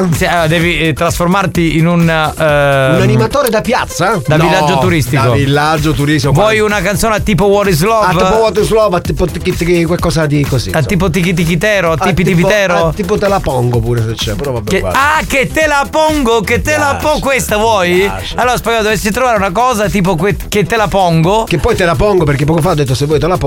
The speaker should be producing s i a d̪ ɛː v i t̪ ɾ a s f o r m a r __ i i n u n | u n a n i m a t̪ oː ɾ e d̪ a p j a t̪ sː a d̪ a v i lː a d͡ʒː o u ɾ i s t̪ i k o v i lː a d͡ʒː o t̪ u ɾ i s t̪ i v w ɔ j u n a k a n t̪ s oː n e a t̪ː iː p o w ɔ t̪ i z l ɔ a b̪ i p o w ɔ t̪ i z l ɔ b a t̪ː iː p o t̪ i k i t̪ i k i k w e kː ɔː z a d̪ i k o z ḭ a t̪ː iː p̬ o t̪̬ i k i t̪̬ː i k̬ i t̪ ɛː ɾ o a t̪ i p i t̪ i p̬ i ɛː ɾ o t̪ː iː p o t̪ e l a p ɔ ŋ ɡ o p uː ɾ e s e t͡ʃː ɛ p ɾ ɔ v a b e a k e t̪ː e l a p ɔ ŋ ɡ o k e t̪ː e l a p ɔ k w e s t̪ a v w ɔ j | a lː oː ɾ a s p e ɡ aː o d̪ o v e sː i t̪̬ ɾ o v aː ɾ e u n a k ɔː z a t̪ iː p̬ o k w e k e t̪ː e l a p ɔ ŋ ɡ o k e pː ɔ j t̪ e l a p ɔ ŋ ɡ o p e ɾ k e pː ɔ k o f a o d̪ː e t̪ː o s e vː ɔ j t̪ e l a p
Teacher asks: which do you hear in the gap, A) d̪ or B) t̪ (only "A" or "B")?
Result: B